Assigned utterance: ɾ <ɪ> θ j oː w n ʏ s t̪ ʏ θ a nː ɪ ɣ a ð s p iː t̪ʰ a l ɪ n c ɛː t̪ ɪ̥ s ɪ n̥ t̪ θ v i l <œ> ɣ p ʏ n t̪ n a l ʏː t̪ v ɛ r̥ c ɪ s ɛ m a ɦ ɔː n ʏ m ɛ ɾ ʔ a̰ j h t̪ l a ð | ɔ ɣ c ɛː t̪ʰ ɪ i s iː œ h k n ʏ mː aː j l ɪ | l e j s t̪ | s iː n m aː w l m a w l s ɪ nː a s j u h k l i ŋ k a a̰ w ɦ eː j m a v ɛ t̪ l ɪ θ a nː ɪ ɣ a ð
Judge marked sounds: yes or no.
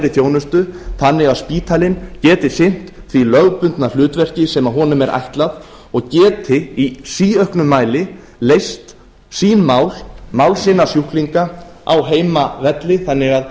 yes, yes

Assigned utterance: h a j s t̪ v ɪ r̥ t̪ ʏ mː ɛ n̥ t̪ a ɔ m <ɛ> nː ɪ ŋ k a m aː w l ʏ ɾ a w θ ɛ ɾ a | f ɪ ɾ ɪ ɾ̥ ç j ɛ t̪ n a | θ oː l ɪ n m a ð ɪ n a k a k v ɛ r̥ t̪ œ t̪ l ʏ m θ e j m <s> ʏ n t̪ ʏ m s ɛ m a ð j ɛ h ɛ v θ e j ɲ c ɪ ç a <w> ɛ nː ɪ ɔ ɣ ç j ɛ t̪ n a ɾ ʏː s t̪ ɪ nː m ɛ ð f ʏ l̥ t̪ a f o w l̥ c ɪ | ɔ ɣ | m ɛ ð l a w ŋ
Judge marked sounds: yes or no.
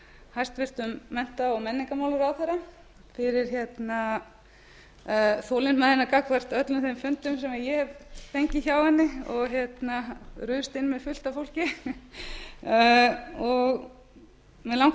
yes, no, yes

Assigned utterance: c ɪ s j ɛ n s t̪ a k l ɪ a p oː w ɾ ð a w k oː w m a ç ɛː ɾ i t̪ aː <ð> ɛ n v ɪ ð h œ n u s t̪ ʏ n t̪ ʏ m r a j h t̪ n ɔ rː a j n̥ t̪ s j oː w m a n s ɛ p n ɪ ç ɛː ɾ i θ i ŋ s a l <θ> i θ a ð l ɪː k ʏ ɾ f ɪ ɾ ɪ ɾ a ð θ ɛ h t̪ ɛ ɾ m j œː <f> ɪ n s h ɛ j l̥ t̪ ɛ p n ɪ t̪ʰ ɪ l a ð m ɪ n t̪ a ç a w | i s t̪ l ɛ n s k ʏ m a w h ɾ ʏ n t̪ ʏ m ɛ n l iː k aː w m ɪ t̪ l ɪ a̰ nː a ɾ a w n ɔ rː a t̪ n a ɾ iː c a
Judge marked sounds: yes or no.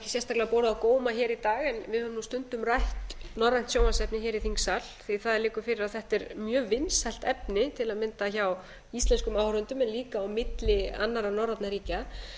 no, yes, no

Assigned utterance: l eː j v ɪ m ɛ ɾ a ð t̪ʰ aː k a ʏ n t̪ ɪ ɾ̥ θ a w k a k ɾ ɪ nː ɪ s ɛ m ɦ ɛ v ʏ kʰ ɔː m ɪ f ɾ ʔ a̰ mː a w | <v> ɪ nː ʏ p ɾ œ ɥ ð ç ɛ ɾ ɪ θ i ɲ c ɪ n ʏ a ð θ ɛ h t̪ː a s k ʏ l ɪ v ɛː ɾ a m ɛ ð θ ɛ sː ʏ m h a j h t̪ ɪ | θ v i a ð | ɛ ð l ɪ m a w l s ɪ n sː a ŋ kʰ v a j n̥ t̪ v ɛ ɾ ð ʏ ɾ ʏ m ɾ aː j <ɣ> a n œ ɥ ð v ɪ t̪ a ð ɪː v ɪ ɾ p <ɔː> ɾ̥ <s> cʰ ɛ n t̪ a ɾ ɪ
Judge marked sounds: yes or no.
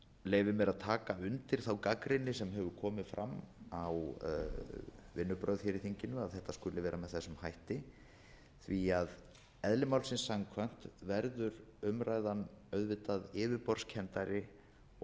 yes, no, no, yes

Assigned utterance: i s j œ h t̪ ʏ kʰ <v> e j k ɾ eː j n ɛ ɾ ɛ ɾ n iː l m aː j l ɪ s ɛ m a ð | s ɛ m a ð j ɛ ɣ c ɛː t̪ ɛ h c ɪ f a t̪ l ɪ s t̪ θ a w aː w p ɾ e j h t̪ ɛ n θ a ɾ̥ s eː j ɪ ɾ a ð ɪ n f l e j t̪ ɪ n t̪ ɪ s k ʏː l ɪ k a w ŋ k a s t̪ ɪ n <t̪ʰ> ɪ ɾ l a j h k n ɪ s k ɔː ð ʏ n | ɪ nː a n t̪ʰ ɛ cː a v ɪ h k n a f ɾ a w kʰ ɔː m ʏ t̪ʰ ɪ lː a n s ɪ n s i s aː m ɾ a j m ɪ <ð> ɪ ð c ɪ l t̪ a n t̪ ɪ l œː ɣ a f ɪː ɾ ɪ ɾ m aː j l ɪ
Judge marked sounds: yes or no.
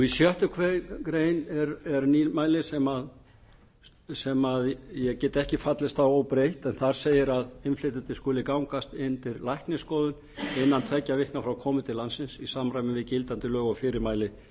yes, no, no

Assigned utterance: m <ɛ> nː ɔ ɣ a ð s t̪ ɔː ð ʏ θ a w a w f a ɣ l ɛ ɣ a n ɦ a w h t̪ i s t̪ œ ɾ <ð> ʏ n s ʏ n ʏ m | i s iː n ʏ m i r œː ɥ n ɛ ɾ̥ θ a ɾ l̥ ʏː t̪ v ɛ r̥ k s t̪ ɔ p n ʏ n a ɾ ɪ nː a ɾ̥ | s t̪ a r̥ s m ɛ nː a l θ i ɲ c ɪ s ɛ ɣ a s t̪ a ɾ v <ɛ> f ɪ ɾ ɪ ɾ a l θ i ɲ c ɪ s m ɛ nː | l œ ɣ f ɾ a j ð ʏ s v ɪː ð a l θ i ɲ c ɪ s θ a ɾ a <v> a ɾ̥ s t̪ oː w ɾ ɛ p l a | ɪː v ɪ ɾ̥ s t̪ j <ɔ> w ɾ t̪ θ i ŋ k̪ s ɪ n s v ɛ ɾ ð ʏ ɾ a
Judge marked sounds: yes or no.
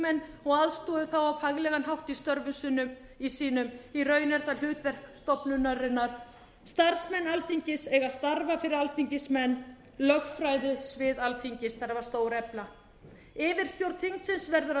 yes, no, no, yes, no

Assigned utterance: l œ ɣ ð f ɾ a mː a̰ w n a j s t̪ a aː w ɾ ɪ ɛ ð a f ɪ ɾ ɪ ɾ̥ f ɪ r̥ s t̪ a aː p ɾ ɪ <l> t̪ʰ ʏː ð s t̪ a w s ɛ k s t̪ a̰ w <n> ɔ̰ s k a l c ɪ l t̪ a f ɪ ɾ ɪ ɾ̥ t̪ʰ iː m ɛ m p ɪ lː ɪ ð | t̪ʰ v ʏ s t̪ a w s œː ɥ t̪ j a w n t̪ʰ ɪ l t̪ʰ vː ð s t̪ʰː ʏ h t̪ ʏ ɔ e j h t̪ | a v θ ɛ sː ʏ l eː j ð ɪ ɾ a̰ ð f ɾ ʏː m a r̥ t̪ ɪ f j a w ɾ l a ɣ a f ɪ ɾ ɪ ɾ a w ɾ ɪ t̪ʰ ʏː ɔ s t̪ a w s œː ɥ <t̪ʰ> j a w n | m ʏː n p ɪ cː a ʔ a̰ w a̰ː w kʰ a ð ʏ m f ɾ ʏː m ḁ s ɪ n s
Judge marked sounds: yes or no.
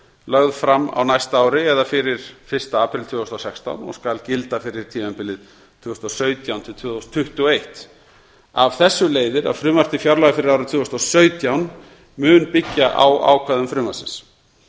yes, yes, no

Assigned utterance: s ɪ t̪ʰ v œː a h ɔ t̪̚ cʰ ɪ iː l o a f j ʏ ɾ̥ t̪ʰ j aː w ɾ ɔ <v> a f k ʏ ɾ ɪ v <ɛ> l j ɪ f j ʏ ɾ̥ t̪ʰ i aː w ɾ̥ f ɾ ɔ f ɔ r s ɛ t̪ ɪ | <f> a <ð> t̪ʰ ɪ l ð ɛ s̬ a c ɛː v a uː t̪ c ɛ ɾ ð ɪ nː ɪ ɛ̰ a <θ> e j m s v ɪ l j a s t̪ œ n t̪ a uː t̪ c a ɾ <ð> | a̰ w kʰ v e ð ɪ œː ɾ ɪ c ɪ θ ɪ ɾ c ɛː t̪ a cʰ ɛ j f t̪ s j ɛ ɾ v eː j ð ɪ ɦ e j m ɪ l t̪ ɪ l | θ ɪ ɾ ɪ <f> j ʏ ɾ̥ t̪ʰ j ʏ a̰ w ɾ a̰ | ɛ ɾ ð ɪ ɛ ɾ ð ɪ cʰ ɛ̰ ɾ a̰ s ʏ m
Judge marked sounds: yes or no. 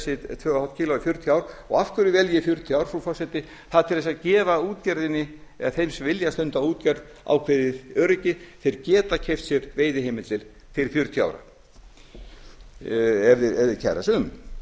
no, yes, no, yes, yes, yes, yes

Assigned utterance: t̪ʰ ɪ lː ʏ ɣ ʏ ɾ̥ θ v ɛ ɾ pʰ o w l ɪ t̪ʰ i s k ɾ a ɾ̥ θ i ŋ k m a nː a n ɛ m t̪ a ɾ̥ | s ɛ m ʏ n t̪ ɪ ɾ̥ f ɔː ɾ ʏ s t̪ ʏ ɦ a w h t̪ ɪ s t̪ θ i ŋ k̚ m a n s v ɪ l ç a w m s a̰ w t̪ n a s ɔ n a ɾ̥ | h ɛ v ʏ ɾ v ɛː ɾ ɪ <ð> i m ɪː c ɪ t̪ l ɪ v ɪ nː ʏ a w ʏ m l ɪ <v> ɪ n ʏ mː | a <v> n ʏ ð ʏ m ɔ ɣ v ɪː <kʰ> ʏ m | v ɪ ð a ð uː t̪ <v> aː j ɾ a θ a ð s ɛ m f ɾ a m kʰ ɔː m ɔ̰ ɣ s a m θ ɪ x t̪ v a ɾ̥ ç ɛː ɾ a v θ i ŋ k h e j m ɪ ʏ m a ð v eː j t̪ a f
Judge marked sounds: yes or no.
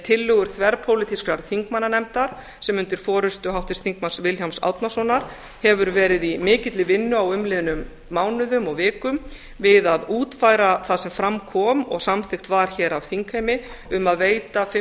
yes, no, no, no, no

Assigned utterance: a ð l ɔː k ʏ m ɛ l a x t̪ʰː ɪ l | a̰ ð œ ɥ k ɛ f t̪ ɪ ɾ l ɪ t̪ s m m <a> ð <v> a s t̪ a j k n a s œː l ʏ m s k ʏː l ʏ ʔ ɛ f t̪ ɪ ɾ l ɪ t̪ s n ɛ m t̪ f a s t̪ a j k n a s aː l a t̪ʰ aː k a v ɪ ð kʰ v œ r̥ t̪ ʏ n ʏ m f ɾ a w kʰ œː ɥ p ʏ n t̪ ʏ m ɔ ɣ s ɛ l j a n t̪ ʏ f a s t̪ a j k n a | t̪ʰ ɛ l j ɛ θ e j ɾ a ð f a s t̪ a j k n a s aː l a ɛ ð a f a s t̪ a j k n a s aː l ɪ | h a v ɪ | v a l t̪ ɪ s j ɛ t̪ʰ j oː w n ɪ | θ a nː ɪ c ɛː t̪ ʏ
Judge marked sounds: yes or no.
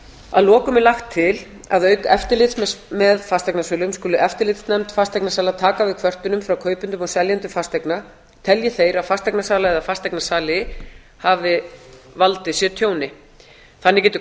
no, no

